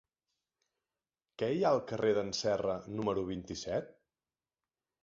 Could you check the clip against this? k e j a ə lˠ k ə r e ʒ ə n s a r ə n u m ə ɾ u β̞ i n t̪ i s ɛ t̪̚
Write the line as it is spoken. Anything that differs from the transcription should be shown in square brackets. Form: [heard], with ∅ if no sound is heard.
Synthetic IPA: k [ɛ] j a ə lˠ k ə r e [ð] ə n s [ɛ] r ə n u m ə ɾ u β̞ i n t̪ i s ɛ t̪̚